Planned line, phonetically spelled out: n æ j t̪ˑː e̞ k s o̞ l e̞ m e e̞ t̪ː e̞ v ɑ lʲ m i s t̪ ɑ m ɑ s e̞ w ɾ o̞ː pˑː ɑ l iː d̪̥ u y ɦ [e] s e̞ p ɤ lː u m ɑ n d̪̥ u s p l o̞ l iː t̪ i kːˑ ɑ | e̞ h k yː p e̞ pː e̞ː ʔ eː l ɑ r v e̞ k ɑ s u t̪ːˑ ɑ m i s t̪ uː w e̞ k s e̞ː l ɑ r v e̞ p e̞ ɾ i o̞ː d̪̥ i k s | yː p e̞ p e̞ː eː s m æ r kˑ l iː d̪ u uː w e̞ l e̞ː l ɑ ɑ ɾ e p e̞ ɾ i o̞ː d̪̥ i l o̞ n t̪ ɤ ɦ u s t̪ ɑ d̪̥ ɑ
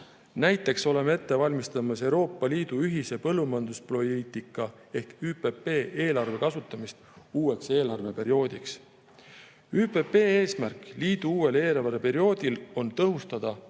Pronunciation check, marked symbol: incorrect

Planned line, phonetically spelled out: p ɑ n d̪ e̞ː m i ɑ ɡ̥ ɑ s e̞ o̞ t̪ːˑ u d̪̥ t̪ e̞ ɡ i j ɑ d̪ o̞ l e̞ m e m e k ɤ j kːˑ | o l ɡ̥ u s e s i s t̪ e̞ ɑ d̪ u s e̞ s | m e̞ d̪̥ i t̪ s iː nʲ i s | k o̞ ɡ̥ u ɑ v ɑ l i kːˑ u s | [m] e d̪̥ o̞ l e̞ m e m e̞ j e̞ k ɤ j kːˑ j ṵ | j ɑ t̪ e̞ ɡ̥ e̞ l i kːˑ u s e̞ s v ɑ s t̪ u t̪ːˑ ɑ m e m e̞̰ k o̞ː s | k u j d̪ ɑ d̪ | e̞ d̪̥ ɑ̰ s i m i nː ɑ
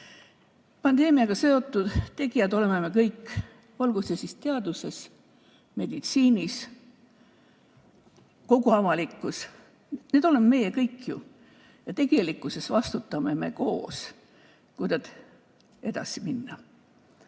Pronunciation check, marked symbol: incorrect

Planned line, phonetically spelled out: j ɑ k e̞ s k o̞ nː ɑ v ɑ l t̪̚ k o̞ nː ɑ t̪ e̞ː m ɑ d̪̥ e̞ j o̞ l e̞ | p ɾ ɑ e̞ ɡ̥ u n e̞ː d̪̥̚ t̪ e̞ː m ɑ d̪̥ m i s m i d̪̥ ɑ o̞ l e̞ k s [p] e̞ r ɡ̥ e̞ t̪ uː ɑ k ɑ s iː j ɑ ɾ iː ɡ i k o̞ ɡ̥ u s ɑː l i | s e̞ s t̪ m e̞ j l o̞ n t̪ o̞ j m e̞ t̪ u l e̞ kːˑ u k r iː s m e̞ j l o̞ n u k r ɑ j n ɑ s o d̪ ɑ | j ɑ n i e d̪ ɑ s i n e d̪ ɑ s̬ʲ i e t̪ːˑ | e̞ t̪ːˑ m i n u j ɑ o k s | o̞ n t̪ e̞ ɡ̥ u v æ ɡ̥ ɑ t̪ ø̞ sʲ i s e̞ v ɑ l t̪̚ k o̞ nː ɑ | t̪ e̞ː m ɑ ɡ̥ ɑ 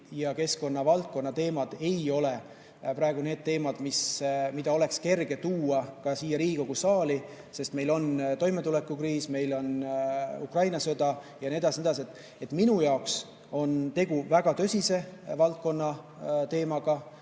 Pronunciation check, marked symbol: incorrect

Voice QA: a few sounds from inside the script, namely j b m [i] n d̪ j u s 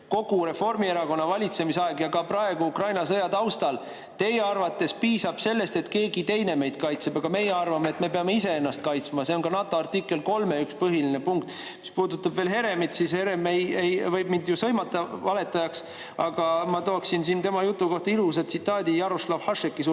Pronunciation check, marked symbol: correct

